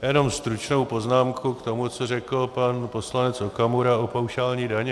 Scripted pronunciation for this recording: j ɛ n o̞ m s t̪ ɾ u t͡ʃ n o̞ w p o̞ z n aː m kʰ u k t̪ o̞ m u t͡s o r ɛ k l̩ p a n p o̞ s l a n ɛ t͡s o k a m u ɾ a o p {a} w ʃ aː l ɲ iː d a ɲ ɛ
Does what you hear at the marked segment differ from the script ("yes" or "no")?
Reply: no